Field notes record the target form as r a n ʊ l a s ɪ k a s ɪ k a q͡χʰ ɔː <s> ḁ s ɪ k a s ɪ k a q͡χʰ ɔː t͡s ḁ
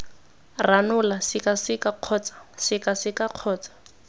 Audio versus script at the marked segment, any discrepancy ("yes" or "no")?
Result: yes